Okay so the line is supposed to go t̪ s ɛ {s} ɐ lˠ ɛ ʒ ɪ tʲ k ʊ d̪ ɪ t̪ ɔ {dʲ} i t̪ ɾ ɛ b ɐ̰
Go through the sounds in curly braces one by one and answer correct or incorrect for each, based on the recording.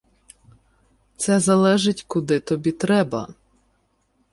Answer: incorrect: z, incorrect: bʲ

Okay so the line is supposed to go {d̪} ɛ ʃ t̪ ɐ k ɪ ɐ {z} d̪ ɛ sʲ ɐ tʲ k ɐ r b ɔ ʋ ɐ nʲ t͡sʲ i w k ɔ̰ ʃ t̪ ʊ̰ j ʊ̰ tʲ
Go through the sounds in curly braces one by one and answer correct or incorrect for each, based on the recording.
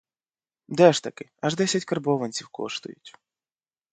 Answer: correct, incorrect: ʒ

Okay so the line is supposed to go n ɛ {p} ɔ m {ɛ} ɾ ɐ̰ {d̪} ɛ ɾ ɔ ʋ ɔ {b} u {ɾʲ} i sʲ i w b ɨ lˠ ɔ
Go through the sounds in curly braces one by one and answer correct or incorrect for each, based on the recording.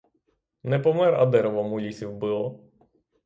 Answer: correct, correct, correct, incorrect: m, incorrect: lʲ

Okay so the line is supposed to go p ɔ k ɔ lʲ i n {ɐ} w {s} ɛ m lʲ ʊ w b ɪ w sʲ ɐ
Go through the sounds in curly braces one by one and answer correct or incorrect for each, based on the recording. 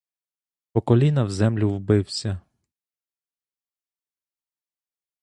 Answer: correct, incorrect: z

